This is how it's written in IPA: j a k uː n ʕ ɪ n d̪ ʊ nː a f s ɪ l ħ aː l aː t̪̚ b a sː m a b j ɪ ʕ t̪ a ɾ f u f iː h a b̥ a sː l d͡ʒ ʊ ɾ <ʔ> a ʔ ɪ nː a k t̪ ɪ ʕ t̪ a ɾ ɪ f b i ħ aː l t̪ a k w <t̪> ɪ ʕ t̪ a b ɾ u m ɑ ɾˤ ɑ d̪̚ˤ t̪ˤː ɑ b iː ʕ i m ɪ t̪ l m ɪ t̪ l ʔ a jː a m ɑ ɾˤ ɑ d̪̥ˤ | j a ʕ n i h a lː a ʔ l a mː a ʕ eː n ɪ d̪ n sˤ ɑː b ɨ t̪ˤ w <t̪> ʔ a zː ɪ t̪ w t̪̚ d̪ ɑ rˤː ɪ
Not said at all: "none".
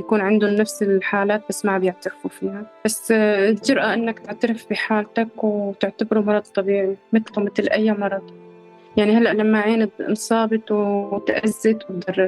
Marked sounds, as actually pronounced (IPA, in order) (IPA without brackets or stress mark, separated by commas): ʔ, t̪, t̪